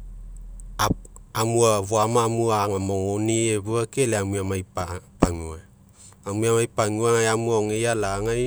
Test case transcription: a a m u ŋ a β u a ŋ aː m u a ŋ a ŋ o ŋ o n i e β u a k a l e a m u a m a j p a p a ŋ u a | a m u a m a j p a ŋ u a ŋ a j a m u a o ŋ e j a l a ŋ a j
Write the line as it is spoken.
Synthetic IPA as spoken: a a m u a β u a m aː m u a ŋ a m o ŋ o n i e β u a k e l e a m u a m a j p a p a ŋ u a | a m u a m a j p a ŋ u a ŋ a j a m u a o ŋ e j a l a ŋ a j